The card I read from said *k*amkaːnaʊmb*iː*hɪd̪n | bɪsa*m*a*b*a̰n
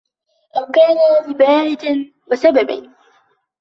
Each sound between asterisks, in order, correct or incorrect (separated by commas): incorrect, incorrect, incorrect, correct